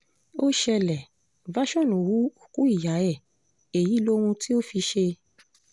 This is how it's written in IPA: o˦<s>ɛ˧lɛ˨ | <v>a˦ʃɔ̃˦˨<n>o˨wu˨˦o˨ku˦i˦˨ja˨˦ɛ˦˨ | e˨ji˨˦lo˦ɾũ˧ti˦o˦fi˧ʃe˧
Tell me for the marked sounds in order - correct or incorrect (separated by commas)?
incorrect, correct, correct